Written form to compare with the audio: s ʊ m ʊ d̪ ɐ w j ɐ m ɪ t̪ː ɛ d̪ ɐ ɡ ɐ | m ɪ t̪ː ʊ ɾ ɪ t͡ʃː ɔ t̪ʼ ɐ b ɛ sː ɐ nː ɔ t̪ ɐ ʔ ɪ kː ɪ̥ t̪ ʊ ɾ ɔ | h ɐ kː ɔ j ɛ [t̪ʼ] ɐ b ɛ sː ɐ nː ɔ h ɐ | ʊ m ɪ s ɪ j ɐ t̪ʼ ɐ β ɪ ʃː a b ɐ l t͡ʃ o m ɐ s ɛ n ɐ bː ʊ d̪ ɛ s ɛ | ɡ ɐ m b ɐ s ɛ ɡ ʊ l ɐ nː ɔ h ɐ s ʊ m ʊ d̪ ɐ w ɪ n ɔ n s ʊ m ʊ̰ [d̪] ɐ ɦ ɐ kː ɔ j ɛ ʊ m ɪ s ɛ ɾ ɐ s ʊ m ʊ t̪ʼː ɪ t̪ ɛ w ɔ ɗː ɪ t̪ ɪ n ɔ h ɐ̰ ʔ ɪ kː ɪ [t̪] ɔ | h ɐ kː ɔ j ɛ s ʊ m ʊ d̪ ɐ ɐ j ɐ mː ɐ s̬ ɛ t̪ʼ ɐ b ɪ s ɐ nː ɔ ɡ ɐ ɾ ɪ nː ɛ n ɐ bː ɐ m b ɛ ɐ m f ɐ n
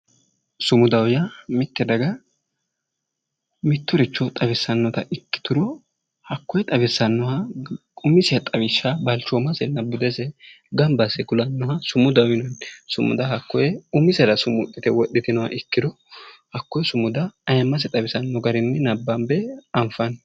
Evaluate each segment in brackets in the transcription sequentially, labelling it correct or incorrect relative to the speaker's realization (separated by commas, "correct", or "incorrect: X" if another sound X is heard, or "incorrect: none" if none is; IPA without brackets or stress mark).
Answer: correct, correct, incorrect: d̪